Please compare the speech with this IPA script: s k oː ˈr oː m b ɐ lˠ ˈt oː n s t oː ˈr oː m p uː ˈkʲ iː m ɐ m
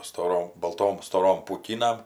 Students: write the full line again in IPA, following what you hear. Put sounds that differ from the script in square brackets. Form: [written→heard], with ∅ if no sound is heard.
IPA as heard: s [k→t] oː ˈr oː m b ɐ lˠ ˈt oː [n→m] s t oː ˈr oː m p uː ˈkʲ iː [m→n] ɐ m